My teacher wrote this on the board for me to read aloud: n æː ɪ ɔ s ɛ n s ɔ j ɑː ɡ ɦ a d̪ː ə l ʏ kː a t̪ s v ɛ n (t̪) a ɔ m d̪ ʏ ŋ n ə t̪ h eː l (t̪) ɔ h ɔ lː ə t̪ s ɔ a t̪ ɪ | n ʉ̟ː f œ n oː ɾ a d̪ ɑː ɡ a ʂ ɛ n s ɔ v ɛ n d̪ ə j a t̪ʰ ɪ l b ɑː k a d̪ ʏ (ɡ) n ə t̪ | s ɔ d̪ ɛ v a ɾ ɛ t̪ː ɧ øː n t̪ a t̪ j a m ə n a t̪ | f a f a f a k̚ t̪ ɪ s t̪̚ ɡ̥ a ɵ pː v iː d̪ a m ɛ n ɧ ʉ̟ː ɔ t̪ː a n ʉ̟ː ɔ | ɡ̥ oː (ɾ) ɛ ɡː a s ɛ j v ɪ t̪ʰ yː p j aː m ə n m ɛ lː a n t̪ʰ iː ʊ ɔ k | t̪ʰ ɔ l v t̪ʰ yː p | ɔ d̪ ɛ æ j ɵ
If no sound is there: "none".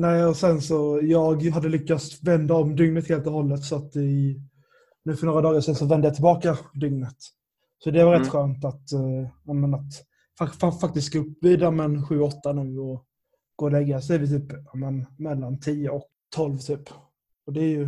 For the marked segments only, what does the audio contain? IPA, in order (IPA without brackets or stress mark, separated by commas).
d̪, t̪, ŋ, l